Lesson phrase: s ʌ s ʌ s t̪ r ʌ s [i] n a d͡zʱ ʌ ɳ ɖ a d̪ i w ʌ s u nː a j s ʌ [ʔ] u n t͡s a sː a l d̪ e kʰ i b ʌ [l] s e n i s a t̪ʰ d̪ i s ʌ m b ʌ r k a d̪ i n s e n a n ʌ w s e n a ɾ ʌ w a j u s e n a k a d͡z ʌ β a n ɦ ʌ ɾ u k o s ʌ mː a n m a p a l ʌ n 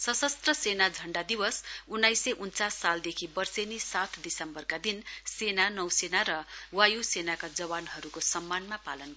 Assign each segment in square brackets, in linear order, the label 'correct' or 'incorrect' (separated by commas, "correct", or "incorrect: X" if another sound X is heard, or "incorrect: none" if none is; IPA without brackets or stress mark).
incorrect: e, correct, incorrect: r